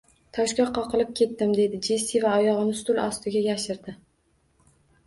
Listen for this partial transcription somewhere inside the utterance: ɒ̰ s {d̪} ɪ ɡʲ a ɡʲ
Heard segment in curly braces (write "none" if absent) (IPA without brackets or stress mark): t̪